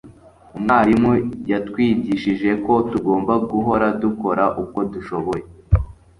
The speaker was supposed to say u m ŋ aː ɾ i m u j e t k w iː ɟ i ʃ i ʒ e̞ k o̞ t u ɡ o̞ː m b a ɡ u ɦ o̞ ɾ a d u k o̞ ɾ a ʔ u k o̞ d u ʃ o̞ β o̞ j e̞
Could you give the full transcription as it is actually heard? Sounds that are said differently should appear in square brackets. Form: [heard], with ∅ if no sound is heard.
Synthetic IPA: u m ŋ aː ɾ i m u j [a] t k w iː ɟ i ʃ i ʒ e̞ k o̞ t u ɡ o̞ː m b a ɡ u ɦ o̞ ɾ a d u k o̞ ɾ a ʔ u k o̞ d u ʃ o̞ β o̞ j e̞

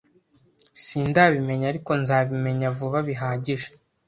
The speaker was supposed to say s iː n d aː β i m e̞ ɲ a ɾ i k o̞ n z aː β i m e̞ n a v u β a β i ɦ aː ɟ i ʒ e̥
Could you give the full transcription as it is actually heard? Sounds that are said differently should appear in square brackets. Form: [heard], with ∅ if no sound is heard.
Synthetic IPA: s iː n d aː β i m e̞ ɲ a ɾ i k o̞ n z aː β i m e̞ [ɲ] a v u β a β i ɦ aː ɟ i ʒ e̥

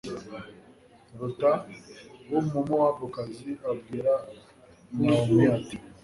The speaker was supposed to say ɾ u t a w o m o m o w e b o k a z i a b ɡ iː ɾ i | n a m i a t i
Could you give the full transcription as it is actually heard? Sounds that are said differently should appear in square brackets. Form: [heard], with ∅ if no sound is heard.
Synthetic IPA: ɾ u t a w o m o m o w [a] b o k a z i a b ɡ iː ɾ [a] | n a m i a t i

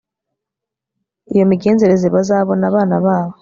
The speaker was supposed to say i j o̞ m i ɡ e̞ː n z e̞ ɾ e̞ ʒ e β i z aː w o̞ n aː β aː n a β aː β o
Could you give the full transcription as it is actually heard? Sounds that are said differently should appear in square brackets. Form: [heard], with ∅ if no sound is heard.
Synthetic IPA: i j o̞ m i ɡ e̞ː n z e̞ ɾ e̞ [z] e β [a] z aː [β] o̞ n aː β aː n a β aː β o

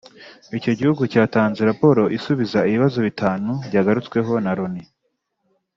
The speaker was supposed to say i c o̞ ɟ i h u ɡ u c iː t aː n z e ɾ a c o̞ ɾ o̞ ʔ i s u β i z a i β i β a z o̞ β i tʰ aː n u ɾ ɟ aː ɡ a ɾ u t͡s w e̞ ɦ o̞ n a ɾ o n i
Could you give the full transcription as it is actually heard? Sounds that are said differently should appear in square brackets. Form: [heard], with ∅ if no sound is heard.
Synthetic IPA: i c o̞ ɟ i h u ɡ u c [aː] t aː n z e ɾ a [p] o̞ ɾ o̞ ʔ i s u β i z a i β i β a z o̞ β i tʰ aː n u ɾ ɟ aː ɡ a ɾ u t͡s w e̞ ɦ o̞ n a ɾ o n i

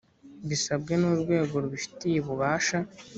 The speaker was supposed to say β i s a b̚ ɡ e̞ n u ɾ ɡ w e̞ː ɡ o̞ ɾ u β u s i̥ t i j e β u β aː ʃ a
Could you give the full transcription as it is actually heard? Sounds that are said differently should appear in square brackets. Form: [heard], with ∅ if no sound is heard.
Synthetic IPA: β i s a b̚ ɡ e̞ n u ɾ ɡ w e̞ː ɡ o̞ ɾ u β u [f] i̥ t i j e β u β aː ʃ a

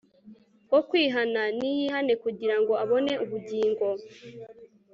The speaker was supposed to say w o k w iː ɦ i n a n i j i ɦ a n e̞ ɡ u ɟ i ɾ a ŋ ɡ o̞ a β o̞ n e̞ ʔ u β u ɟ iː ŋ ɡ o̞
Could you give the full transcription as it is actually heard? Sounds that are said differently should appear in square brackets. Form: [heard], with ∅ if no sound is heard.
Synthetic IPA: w o k w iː ɦ [a] n a n i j i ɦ a n e̞ [k] u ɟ i ɾ a ŋ ɡ o̞ a β o̞ n e̞ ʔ u β u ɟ iː ŋ ɡ o̞

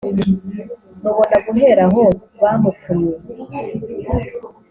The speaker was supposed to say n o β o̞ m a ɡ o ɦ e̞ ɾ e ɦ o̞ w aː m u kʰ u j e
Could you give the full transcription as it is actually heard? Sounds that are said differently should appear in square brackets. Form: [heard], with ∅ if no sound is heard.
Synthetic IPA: n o β o̞ [n] a ɡ [u] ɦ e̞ ɾ [a] ɦ o̞ [β] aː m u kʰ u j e

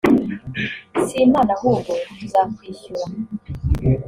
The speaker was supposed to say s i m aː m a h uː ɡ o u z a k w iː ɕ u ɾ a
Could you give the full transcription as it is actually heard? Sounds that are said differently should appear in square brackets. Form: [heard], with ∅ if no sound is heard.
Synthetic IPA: s i m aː [n] a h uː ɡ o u z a k w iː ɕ u ɾ a

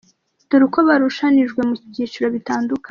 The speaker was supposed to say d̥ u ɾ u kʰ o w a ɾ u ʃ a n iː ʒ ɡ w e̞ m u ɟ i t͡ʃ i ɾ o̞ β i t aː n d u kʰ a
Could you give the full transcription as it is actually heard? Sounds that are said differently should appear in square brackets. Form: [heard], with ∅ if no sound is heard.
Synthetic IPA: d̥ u ɾ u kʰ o [β] a ɾ u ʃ a n [i] ʒ ɡ w e̞ m u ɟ i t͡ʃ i ɾ o̞ β i t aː n d u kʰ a

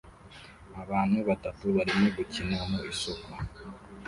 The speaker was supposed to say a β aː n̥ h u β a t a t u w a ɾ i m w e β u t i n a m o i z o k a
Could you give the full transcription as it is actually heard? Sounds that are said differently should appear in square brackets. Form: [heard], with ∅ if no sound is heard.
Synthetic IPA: a β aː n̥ h u β a t a t u [β] a ɾ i m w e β u [c] i n a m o i [s] o k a

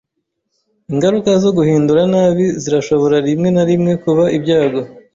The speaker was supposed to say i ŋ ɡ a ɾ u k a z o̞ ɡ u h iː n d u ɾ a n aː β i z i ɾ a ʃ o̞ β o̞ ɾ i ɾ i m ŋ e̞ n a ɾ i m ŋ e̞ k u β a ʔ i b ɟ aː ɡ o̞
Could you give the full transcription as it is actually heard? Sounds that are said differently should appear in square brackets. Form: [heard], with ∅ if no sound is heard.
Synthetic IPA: i ŋ ɡ a ɾ u k a z o̞ ɡ u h iː n d u ɾ a n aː β i z i ɾ a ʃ o̞ β o̞ ɾ [a] ɾ i m ŋ e̞ n a ɾ i m ŋ e̞ k u β a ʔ i b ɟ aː ɡ o̞

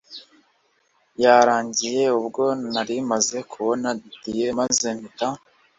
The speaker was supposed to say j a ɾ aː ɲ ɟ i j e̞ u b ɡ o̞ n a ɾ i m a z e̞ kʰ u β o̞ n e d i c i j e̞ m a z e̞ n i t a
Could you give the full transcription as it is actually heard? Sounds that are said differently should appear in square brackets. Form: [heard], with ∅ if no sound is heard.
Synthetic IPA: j a ɾ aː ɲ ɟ i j e̞ u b ɡ o̞ n a ɾ i m a z e̞ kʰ u β o̞ n [a] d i [t] i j e̞ m a z e̞ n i t a

